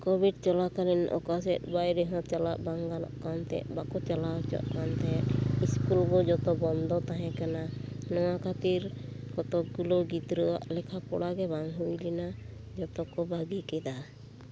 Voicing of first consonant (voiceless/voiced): voiceless